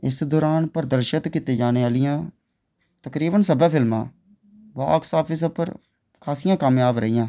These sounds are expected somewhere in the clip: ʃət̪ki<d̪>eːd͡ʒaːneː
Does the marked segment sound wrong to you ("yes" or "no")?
yes